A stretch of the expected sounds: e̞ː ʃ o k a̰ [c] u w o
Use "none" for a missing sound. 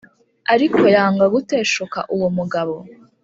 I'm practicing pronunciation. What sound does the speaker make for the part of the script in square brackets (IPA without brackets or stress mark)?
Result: ʔ